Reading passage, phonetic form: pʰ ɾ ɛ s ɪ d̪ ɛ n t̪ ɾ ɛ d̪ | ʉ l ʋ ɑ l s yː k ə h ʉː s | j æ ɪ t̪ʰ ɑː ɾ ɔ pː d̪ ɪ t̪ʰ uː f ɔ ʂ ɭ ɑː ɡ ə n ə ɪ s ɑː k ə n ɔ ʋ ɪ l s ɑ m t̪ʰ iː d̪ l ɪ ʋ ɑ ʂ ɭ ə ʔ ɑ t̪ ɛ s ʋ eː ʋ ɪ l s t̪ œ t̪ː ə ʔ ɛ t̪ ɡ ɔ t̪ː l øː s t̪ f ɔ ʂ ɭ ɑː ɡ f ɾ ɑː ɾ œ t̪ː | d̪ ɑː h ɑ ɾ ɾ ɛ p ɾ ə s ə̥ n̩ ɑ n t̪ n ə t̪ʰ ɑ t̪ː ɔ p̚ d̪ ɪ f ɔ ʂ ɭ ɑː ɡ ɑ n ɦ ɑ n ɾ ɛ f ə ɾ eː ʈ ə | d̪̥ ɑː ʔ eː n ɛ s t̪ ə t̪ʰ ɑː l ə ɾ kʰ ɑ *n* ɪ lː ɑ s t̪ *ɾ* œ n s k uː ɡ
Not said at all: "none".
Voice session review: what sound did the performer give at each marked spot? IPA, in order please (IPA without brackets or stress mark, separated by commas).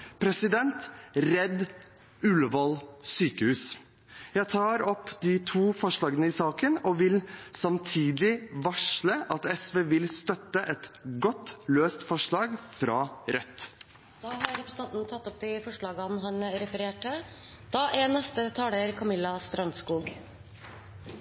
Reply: m, ɾ